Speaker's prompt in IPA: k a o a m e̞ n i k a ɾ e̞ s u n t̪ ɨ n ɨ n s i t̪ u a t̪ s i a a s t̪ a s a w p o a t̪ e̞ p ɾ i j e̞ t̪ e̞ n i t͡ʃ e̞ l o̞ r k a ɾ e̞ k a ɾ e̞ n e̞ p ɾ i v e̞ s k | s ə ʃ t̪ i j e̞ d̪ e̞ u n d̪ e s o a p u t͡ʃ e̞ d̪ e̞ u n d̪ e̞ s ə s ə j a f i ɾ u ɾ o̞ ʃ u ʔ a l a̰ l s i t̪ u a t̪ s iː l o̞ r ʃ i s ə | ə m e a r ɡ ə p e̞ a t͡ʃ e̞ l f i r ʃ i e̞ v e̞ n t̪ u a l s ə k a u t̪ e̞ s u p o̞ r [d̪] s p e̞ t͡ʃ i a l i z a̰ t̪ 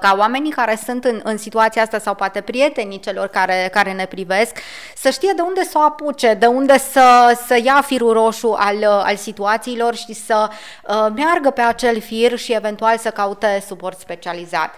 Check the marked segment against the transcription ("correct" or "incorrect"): incorrect